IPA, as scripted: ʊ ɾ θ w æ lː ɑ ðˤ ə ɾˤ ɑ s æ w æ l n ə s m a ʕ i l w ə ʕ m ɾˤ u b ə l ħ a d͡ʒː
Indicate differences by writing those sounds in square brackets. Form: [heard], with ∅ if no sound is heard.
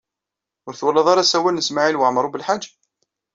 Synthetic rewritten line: ʊ ɾ θ w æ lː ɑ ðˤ [ɑ] ɾˤ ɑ s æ w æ l n ə s m a ʕ i l w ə ʕ m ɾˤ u b ə l ħ a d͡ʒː